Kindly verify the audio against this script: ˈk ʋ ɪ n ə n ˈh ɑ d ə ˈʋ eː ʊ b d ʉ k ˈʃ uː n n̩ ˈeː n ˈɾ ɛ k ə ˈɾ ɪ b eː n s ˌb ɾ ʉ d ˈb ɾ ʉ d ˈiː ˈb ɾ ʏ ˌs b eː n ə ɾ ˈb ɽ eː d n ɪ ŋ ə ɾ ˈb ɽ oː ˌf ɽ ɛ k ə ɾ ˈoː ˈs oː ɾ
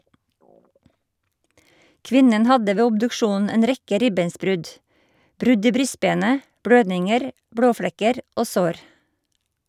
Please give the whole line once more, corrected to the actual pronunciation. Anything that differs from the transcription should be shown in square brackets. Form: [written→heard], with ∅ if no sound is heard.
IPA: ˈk ʋ ɪ n ə n ˈh ɑ d ə ˈʋ eː ʊ b d ʉ k ˈʃ uː n n̩ ˈeː n ˈɾ ɛ k ə ˈɾ ɪ b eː n s ˌb ɾ ʉ d ˈb ɾ ʉ d ˈiː ˈb ɾ ʏ ˌs b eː n ə [ɾ→∅] ˈb ɽ [eː→øː] d n ɪ ŋ ə ɾ ˈb ɽ oː ˌf ɽ ɛ k ə ɾ ˈoː ˈs oː ɾ